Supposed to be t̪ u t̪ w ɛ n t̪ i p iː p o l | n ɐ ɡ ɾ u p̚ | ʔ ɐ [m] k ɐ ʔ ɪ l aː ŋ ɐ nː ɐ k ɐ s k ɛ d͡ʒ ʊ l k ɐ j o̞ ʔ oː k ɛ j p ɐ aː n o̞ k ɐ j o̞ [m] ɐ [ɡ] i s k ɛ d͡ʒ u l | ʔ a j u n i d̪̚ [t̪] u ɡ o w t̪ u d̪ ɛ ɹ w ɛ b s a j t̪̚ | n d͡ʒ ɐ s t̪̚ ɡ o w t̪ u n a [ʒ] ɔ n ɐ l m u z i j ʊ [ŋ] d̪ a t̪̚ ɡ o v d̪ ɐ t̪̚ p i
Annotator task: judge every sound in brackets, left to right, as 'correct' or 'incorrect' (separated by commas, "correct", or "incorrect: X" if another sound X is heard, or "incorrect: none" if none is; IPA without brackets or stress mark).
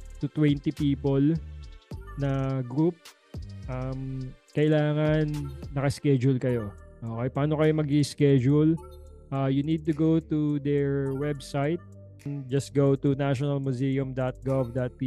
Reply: correct, correct, correct, correct, incorrect: ʃ, incorrect: m